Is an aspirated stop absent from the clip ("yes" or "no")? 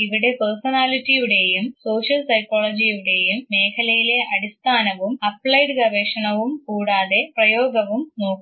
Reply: no